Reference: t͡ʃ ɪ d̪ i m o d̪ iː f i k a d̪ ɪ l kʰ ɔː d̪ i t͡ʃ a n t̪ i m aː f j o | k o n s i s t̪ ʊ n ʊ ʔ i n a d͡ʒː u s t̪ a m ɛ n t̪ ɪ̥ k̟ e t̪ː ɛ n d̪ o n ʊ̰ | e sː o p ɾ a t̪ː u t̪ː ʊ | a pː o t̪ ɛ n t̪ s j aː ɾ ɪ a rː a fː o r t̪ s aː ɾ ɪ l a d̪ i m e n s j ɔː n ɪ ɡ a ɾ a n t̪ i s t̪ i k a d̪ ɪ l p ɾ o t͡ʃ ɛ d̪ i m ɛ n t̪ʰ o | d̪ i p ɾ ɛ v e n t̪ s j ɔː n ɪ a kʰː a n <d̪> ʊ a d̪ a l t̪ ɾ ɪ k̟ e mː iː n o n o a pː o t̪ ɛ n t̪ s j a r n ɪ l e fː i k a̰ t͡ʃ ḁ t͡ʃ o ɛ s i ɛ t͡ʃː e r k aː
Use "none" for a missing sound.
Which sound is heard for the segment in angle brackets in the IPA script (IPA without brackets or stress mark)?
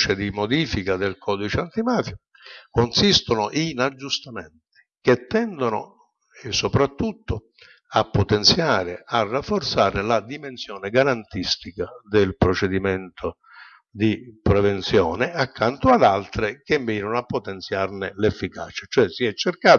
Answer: t̪